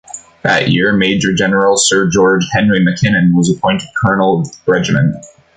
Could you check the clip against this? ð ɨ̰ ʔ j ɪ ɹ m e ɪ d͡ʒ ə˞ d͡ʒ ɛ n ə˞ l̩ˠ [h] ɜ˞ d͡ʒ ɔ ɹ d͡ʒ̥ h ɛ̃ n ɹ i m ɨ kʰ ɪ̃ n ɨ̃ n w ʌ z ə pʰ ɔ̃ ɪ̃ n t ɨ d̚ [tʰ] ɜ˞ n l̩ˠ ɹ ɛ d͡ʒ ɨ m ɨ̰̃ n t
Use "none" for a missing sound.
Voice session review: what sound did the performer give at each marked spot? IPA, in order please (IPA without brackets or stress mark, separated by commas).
s, kʰ